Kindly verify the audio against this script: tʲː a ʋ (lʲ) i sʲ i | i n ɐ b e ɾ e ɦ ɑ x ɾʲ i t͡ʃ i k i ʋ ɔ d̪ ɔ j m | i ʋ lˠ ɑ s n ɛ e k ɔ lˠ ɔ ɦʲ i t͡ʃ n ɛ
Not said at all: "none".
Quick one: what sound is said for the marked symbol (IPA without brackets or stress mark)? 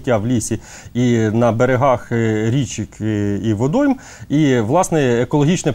lʲ